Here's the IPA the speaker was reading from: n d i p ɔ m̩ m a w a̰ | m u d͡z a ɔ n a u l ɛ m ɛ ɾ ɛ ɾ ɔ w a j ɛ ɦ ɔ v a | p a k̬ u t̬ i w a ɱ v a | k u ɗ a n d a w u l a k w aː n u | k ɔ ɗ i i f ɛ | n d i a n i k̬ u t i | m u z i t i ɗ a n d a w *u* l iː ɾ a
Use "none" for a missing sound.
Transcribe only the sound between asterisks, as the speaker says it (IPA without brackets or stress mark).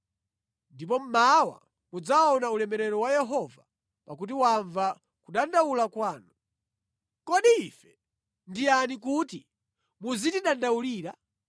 u